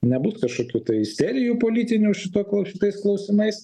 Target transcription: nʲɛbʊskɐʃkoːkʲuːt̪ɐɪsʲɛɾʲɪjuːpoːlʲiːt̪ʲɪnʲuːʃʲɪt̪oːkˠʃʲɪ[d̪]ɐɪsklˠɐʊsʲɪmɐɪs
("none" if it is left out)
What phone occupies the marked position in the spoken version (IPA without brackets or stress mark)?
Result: t̪